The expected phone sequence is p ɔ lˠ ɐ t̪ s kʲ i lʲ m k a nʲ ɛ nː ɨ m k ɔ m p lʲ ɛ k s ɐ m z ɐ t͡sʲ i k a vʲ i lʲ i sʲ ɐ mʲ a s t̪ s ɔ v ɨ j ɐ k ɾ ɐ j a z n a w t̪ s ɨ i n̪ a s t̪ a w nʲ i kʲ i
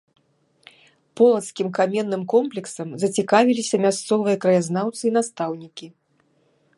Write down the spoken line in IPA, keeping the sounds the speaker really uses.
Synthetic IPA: p ɔ lˠ ɐ t̪ s kʲ i m k a mʲ ɛ nː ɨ m k ɔ m p lʲ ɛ k s ɐ m z ɐ t͡sʲ i k a vʲ i lʲ i sʲ ɐ mʲ a s t̪ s ɔ v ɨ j ɐ k ɾ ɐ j a z n a w t̪ s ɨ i n̪ a s t̪ a w nʲ i kʲ i

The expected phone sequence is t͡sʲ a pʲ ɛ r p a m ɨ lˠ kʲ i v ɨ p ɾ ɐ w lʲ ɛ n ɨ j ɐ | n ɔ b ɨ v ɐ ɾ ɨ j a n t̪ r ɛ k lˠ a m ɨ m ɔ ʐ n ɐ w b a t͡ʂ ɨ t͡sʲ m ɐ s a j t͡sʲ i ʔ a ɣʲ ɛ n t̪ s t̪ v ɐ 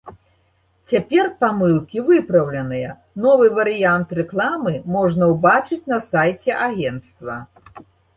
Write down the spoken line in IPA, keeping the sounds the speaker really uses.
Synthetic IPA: t͡sʲ a pʲ ɛ r p a m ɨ lˠ kʲ i v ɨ p ɾ ɐ w lʲ ɛ n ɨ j ɐ | n ɔ v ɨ v ɐ ɾ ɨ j a n t̪ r ɛ k lˠ a m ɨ m ɔ ʐ n ɐ w b a t͡ʂ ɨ t͡sʲ n ɐ s a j t͡sʲ ɛ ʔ a ɣʲ ɛ n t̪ s t̪ v ɐ

